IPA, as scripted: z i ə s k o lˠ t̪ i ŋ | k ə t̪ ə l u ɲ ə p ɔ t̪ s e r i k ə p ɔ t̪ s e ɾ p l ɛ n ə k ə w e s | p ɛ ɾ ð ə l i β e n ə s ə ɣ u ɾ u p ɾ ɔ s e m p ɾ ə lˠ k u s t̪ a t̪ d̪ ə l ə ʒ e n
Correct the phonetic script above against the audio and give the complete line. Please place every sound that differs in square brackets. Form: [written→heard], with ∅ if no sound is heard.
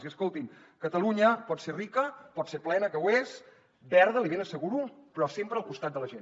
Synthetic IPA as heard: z i ə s k o lˠ t̪ i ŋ | k ə t̪ ə l u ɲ ə p ɔ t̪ s e r i k ə p ɔ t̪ s e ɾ p l ɛ n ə k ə w e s | [p→b] ɛ ɾ ð ə l i β e n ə s ə ɣ u ɾ u p ɾ ɔ s e m p ɾ ə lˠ k u s t̪ a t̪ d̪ ə l ə ʒ e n